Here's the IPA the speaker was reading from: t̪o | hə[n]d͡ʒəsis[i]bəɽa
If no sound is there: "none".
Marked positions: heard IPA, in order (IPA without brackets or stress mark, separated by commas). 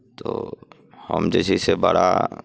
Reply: m, e